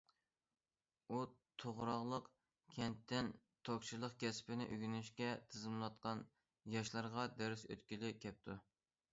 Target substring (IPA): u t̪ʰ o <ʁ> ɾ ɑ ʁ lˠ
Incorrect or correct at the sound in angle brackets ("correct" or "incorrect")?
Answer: correct